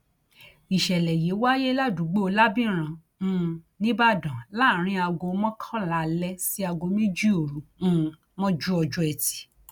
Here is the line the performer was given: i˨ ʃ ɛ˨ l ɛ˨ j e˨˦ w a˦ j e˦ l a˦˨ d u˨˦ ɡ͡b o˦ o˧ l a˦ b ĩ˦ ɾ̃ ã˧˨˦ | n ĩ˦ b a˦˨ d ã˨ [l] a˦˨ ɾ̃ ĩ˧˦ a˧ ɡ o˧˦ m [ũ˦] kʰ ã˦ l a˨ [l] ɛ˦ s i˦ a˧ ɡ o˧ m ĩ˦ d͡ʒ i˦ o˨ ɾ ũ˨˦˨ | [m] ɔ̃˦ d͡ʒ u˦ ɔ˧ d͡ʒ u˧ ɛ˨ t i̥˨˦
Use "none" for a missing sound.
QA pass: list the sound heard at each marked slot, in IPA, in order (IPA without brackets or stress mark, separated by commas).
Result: l, ɔ̃˦, l, m